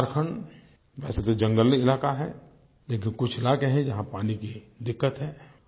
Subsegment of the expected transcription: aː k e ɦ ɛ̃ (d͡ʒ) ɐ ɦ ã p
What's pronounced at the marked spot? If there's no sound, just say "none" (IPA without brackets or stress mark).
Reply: d͡ʒ